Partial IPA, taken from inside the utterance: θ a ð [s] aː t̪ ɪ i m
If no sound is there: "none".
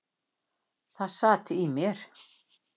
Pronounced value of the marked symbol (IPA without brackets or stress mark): s